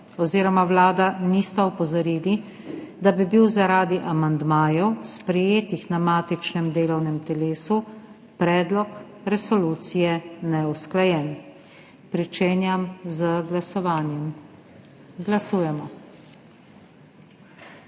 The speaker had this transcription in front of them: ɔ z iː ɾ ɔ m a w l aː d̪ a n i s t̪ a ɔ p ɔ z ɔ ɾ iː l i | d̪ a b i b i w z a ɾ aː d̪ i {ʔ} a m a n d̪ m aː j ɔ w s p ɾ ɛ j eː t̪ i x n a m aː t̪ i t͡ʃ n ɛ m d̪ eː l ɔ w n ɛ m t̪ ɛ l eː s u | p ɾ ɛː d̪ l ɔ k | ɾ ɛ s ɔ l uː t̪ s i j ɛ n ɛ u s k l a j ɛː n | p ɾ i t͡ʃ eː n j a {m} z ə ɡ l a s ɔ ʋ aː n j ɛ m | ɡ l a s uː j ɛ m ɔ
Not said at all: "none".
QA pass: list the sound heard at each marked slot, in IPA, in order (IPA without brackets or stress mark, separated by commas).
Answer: ʔ, m